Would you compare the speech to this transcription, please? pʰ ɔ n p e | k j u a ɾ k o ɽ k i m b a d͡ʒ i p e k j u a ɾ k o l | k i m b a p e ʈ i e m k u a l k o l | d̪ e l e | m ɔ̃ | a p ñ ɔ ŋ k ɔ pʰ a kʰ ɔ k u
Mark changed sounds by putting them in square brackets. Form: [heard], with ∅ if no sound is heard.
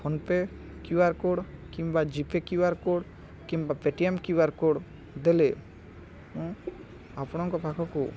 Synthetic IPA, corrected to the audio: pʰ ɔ n p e | k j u a ɾ k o ɽ k i m b a d͡ʒ i p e k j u a ɾ k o [ɽ] | k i m b a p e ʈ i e m k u a [ɾ] k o [ɽ] | d̪ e l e | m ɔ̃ | a p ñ ɔ ŋ k ɔ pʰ a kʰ ɔ k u